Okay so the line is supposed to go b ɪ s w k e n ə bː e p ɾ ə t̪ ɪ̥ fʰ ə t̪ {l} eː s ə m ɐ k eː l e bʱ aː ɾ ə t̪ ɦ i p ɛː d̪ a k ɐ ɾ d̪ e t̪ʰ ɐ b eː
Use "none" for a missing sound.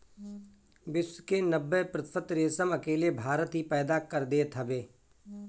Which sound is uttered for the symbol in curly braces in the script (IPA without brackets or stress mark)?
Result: ɾ